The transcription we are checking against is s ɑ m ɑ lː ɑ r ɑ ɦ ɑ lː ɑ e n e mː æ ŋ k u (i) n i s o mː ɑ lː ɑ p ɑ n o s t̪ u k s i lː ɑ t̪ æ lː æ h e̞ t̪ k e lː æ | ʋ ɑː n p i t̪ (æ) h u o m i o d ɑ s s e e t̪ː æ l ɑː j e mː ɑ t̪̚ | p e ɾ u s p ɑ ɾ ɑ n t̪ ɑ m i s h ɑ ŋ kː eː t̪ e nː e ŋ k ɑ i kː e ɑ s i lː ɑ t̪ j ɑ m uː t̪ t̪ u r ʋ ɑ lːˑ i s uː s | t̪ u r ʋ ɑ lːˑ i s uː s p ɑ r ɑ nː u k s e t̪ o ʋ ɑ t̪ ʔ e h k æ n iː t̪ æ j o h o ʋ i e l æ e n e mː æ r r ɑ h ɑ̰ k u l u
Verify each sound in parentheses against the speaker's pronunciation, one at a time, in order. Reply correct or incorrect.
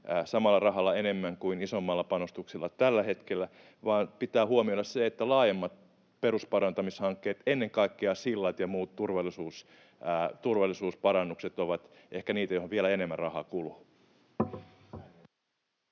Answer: correct, incorrect: æː

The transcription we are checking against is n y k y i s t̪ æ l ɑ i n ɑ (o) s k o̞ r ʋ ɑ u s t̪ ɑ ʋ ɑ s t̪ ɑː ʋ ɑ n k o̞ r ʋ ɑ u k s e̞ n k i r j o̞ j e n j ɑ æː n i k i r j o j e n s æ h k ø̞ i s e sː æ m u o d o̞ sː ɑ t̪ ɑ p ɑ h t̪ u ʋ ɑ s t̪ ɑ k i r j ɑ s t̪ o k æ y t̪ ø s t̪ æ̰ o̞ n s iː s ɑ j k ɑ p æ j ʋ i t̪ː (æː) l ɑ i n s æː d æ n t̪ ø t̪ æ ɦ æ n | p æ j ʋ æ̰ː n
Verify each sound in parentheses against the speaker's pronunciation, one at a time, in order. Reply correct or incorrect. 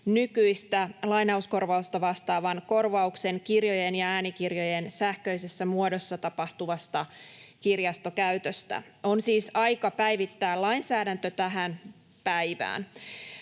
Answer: incorrect: u, correct

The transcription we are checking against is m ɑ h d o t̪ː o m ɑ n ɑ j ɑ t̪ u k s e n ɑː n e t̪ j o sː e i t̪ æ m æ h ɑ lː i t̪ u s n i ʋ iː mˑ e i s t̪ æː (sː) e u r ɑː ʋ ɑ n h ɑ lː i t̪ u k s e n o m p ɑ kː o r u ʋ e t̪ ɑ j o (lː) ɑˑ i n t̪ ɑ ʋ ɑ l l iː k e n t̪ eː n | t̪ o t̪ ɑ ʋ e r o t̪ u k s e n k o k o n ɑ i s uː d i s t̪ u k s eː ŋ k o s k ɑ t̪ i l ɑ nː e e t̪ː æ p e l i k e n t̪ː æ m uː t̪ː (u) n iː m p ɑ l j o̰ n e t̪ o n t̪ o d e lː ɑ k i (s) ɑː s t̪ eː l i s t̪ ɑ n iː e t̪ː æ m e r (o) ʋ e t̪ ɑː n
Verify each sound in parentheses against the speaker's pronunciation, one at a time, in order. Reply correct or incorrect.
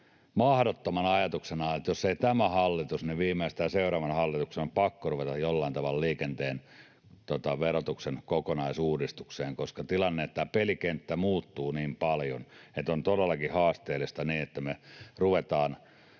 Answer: incorrect: s, correct, incorrect: uː, incorrect: h, incorrect: u

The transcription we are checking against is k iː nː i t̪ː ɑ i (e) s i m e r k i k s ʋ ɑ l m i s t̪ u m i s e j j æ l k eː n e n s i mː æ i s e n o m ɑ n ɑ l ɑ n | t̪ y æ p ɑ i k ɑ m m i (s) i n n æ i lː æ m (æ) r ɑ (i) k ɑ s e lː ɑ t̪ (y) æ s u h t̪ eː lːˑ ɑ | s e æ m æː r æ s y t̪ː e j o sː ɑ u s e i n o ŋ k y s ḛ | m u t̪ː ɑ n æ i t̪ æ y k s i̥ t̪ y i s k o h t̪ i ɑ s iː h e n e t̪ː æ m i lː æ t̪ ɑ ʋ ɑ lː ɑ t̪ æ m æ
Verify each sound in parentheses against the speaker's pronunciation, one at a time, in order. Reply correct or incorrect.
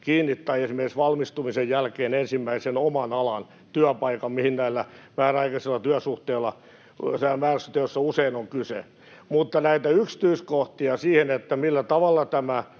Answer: correct, incorrect: h, incorrect: æː, correct, correct

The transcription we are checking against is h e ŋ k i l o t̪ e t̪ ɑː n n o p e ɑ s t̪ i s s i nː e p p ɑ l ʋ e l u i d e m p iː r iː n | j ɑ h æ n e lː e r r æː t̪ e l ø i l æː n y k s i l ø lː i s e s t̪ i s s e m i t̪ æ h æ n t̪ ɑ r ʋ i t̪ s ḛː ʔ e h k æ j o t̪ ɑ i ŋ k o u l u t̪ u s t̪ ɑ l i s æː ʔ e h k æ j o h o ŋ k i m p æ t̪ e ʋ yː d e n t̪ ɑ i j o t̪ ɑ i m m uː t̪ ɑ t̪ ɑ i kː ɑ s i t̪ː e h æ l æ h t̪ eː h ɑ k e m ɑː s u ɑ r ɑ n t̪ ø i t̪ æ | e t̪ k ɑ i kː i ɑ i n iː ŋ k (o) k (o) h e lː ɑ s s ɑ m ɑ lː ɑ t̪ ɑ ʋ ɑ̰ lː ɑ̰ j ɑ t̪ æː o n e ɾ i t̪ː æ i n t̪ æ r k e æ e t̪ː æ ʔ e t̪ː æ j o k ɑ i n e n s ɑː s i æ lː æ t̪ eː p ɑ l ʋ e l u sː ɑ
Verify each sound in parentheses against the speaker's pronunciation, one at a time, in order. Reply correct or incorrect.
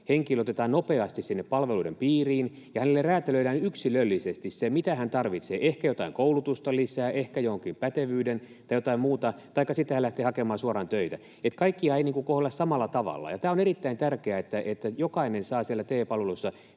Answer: incorrect: u, correct

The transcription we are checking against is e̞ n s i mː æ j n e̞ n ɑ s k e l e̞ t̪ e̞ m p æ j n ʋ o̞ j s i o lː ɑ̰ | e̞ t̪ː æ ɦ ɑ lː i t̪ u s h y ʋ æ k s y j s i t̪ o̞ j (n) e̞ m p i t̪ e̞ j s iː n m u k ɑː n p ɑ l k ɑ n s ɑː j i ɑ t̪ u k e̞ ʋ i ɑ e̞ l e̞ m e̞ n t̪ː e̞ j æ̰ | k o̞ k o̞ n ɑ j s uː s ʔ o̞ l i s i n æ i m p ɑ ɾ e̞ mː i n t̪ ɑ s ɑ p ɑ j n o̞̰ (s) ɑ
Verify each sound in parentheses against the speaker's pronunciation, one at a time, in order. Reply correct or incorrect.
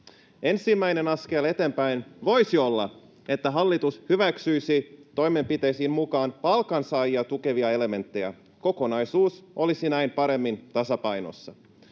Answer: incorrect: m, incorrect: sː

